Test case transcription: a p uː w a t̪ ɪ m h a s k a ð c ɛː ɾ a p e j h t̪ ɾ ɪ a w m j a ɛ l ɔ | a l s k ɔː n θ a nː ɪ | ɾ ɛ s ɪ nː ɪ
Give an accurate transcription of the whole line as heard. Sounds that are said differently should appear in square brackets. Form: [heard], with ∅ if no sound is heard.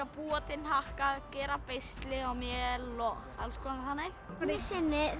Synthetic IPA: a p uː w a t̪ ɪ [n] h a [h] k a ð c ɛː ɾ a p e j [s] t̪ [l] ɪ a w m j [ɛ] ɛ l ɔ | a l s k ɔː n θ a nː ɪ | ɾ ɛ s ɪ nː ɪ